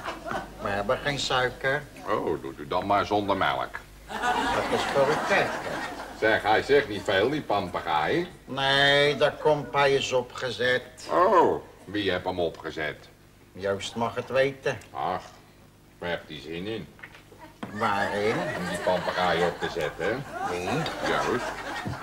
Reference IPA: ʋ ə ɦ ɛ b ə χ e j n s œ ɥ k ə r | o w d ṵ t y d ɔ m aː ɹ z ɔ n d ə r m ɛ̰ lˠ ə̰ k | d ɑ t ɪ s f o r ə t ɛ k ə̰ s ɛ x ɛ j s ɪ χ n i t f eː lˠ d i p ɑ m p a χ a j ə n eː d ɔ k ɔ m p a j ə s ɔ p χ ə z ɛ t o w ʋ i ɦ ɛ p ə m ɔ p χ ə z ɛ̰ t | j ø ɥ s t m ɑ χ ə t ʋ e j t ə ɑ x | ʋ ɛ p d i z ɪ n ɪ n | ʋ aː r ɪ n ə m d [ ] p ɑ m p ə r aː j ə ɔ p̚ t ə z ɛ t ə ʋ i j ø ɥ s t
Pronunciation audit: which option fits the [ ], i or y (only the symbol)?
i